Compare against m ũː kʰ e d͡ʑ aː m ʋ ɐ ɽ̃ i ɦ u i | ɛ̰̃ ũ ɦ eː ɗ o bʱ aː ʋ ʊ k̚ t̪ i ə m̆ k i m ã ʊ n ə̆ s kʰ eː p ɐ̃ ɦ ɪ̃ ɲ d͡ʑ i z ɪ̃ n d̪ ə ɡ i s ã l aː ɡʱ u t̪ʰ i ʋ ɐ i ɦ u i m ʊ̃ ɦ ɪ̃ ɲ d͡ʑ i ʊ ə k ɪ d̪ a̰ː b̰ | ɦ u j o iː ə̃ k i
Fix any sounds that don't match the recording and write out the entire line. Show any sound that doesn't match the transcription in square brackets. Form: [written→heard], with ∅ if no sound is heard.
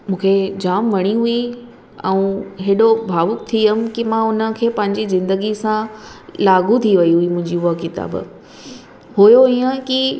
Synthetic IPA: m ũː kʰ e d͡ʑ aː m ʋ ɐ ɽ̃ i ɦ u i | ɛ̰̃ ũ ɦ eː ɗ o bʱ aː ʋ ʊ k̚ [t̪→t̪ʰ] i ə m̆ k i m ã ʊ n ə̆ [s→∅] kʰ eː p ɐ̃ ɦ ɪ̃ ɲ d͡ʑ i z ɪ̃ n d̪ ə ɡ i s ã l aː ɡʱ u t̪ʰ i ʋ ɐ i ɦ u i m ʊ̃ ɦ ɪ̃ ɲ d͡ʑ i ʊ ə k ɪ [d̪→t̪] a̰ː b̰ | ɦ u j o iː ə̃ k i